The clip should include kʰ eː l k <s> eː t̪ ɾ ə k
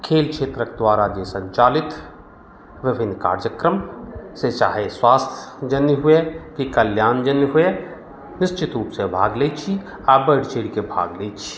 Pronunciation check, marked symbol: incorrect: ʃ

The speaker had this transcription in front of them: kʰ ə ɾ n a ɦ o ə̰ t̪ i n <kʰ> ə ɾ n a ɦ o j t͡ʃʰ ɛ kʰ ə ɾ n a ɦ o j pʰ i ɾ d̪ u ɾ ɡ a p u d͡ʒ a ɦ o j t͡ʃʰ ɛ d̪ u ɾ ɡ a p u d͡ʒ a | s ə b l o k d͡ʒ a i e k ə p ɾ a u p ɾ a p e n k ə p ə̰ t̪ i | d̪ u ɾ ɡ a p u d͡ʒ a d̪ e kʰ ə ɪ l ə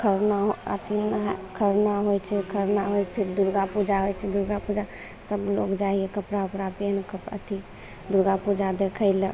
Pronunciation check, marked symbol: correct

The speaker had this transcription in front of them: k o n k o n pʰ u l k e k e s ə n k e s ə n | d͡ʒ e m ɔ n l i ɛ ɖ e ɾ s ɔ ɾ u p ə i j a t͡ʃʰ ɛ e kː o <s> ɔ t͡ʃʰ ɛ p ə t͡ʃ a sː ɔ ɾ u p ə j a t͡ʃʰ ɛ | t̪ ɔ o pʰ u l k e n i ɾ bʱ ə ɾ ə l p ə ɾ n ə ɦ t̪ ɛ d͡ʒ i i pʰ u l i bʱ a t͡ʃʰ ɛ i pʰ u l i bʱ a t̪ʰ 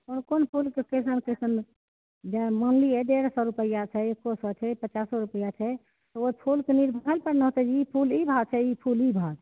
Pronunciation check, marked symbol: correct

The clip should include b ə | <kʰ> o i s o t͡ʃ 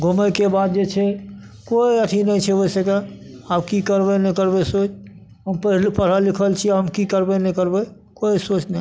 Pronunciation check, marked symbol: incorrect: k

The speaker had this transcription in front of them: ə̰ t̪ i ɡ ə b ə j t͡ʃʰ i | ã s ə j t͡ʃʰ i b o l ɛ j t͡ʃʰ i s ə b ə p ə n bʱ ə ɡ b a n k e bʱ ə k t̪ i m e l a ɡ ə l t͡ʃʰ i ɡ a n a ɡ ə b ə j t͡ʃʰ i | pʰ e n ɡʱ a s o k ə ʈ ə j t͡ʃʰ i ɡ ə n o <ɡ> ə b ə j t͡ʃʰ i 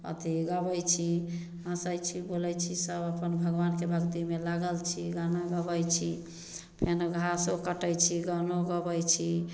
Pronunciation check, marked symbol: correct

